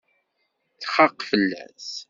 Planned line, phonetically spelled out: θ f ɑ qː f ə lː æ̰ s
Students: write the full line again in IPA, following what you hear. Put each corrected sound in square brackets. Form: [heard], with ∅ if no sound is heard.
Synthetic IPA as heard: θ [χ] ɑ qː f ə lː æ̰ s